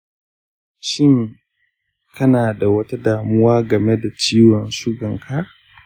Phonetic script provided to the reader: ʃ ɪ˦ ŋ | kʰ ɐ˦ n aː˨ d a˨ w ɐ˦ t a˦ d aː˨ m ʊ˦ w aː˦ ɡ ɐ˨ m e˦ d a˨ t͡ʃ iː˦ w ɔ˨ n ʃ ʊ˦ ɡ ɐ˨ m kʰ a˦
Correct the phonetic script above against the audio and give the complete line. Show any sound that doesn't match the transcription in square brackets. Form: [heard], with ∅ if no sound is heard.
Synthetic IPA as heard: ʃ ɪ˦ ŋ | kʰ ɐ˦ n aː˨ d a˨ w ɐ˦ t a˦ d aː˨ m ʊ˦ w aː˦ ɡ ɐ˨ m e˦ d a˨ t͡ʃ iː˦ w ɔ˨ n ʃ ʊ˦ ɡ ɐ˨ [ŋ] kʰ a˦